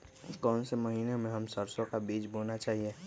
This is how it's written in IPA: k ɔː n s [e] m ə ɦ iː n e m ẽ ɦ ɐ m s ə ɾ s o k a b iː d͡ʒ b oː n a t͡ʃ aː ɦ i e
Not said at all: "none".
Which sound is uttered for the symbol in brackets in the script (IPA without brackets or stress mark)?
e